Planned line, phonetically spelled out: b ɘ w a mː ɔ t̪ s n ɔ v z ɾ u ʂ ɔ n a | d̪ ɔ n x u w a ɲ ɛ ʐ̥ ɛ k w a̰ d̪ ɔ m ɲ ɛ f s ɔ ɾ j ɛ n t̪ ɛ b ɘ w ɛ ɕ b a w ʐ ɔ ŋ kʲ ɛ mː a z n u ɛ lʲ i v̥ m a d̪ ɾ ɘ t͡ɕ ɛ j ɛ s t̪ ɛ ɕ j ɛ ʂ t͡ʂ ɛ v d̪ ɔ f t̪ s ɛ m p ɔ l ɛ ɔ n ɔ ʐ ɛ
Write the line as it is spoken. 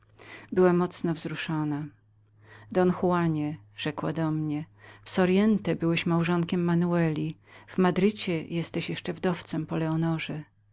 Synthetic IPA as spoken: b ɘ w a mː ɔ t̪ s n ɔ v z ɾ u ʂ ɔ n a | d̪ ɔ n x u w a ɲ ɛ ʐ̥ ɛ k w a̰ d̪ ɔ m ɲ ɛ f s ɔ ɾ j ɛ n t̪ ɛ b ɘ w ɛ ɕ m a w ʐ ɔ ŋ kʲ ɛ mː a n u ɛ lʲ i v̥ m a d̪ ɾ ɘ t͡ɕ ɛ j ɛ s t̪ ɛ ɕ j ɛ ʂ t͡ʂ ɛ v d̪ ɔ f t̪ s ɛ m p ɔ l ɛ ɔ n ɔ ʐ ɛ